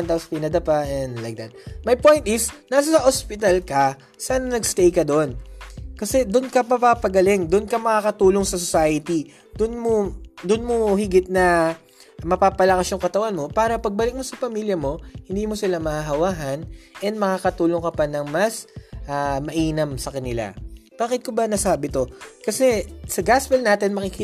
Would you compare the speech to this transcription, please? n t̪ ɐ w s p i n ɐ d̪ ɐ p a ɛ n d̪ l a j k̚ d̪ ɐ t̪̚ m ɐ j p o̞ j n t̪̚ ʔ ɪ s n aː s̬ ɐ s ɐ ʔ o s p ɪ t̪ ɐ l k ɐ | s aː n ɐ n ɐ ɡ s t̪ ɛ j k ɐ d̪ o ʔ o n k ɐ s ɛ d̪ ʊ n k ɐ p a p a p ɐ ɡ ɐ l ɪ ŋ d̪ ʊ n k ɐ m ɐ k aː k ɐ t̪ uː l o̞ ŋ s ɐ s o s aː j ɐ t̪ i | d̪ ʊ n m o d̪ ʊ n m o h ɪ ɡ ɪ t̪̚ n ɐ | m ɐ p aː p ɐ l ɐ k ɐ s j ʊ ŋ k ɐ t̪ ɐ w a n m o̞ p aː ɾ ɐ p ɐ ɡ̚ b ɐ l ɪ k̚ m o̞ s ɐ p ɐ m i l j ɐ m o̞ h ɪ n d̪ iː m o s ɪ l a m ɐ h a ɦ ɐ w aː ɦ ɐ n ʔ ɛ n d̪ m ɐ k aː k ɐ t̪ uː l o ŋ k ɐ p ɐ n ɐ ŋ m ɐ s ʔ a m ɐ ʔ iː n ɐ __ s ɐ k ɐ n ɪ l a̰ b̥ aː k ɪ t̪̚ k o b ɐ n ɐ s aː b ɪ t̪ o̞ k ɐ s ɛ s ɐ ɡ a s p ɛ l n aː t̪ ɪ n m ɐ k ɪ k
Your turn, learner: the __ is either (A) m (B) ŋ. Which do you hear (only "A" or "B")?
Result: A